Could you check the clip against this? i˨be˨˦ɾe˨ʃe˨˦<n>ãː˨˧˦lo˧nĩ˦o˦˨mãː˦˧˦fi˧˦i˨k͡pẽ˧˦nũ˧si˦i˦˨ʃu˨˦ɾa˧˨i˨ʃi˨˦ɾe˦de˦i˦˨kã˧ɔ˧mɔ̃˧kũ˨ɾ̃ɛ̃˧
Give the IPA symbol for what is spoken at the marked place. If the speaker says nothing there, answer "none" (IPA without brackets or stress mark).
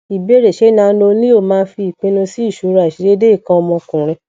n